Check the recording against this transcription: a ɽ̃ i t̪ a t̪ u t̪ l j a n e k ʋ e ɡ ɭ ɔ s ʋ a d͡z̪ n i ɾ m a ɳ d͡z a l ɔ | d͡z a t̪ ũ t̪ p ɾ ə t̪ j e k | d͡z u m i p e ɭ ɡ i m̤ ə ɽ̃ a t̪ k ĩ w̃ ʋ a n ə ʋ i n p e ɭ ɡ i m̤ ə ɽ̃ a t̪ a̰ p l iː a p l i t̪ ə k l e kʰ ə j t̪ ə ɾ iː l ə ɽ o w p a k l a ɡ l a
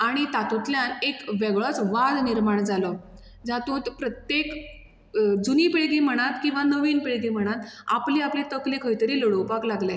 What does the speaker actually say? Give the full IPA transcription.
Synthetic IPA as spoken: a ɽ̃ i t̪ a t̪ u t̪ l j a n e k ʋ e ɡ ɭ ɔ t͡s ʋ a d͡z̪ n i ɾ m a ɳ d͡z a l ɔ | d͡z a t̪ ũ t̪ p ɾ ə t̪ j e k | d͡z u n i p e ɭ ɡ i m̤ ə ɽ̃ a t̪ k ĩ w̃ ʋ a n ə ʋ i n p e ɭ ɡ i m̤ ə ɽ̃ a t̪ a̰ p l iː a p l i t̪ ə k l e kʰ ə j t̪ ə ɾ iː l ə ɽ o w p a k l a ɡ l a